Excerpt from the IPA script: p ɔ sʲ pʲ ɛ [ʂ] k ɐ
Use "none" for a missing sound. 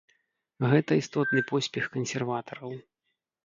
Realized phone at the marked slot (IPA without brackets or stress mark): x